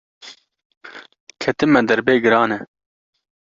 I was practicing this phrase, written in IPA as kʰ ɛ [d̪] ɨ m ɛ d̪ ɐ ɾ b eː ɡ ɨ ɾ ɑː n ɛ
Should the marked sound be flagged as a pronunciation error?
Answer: yes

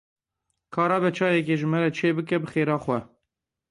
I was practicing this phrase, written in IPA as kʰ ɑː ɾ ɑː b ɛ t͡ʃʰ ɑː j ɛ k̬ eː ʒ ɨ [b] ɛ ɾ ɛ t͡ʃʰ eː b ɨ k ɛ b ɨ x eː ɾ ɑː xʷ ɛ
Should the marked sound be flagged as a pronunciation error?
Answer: yes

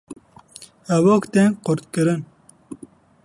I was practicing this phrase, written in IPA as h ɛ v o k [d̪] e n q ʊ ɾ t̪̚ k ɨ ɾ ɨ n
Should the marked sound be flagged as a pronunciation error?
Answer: yes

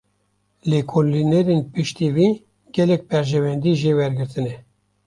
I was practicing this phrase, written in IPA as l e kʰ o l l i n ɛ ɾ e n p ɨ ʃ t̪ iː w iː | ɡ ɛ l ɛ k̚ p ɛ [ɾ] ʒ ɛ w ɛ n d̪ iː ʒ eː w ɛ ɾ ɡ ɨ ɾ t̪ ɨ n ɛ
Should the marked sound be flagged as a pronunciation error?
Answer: no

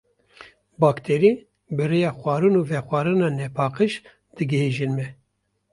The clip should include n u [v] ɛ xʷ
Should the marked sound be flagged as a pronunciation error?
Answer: no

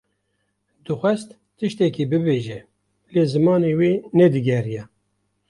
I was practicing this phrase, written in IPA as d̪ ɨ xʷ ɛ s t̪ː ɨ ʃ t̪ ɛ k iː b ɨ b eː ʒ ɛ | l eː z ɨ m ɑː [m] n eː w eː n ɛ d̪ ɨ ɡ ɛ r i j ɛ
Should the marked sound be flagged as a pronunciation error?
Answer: yes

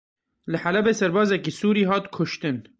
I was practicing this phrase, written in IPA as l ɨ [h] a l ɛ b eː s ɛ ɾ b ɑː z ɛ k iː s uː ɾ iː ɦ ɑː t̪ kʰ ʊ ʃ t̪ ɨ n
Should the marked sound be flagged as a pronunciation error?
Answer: yes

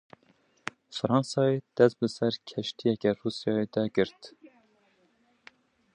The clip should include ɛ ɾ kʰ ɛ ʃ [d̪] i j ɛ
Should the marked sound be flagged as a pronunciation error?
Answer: yes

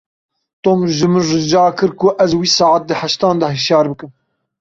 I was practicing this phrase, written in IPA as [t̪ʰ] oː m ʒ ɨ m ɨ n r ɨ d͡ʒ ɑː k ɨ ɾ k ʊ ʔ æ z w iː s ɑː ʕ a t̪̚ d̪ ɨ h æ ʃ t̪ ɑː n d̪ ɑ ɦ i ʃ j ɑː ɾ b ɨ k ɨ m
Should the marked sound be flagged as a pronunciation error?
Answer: yes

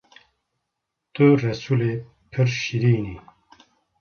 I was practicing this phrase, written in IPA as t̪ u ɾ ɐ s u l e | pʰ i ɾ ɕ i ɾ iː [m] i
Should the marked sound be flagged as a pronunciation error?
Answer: yes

